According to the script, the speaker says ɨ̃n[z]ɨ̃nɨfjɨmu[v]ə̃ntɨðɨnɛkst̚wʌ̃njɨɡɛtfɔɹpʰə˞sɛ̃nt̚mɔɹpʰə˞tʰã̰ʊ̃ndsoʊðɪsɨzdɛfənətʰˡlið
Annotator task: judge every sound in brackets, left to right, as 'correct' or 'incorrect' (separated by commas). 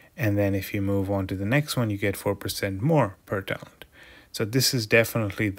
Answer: incorrect, correct